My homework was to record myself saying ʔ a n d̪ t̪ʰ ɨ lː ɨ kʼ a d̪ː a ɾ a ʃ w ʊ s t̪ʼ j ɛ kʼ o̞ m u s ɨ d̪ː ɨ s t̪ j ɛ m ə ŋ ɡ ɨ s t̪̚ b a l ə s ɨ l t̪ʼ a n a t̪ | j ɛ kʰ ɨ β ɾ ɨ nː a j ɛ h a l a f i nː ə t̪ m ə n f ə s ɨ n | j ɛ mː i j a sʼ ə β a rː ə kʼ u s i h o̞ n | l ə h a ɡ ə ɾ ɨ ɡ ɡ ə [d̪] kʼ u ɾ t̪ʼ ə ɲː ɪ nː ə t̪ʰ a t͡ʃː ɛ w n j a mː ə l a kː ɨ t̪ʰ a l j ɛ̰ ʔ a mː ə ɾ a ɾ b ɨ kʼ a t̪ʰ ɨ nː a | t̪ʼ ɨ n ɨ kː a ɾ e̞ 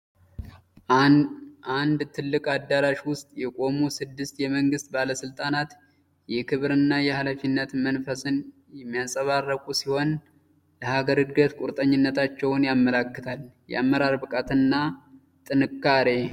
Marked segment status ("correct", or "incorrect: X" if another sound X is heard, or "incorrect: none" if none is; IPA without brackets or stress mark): incorrect: t̪